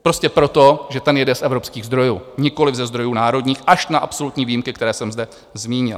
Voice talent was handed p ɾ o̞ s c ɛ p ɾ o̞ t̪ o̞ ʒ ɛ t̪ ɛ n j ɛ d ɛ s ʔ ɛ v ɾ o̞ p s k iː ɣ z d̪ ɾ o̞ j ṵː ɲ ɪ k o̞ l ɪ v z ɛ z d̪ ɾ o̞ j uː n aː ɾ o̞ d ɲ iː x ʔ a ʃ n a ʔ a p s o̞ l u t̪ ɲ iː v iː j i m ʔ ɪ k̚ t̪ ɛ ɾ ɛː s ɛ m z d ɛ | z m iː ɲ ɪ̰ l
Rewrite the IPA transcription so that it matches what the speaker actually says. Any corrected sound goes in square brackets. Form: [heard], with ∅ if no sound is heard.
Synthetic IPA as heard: p ɾ o̞ s c ɛ p ɾ o̞ t̪ o̞ ʒ ɛ t̪ ɛ n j ɛ d ɛ s ʔ ɛ v ɾ o̞ p s k iː ɣ z d̪ ɾ o̞ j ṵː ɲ ɪ k o̞ l ɪ v z ɛ z d̪ ɾ o̞ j uː n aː ɾ o̞ d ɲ iː x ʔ a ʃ n a ʔ a p s o̞ l u t̪ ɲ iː v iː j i m [k] ɪ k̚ t̪ ɛ ɾ ɛː s ɛ m z d ɛ | z m iː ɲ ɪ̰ l